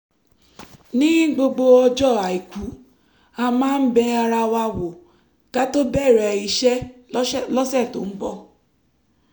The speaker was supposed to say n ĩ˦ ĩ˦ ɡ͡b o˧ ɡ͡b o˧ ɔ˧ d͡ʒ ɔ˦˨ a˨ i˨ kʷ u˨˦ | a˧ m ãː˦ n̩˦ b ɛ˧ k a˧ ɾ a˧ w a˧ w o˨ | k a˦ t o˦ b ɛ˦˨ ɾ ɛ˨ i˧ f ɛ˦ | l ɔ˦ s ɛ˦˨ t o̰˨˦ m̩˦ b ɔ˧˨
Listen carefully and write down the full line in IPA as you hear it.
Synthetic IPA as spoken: n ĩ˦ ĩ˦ ɡ͡b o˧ ɡ͡b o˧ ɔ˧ d͡ʒ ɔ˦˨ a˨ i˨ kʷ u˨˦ | a˧ m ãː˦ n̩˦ b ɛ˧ a˧ ɾ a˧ w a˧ w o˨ | k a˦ t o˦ b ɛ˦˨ ɾ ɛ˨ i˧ ʃ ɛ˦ | l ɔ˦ s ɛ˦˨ t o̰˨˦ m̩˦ b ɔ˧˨